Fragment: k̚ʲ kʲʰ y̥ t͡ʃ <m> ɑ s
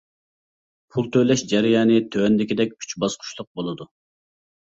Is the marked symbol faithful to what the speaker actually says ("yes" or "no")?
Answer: no